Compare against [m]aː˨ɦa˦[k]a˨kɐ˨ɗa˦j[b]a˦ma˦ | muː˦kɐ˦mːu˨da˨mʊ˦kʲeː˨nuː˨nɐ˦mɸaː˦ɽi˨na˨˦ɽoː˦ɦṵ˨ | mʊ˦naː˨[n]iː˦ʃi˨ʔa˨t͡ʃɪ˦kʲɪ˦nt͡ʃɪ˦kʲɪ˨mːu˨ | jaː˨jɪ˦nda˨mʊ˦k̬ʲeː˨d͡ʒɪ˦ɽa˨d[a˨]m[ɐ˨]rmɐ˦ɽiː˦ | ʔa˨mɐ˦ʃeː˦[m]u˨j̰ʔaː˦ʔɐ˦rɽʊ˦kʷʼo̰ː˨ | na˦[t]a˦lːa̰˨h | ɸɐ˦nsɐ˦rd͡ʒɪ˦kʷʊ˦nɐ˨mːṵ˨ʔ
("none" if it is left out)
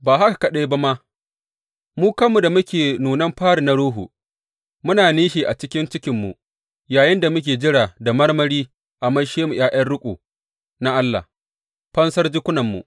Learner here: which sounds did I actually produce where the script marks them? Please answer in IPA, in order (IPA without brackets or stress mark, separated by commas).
b, k, b, n, a˨, ɐ˦, m, ʔ